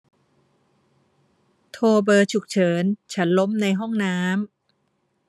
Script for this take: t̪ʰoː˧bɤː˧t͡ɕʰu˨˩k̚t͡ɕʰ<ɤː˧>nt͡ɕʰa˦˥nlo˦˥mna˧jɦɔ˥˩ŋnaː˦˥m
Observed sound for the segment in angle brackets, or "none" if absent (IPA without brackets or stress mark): ɤː˩˦